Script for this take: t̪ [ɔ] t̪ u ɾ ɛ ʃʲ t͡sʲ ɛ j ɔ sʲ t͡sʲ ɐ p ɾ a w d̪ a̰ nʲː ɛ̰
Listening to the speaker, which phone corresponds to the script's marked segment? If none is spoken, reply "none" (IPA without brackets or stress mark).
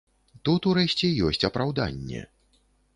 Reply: u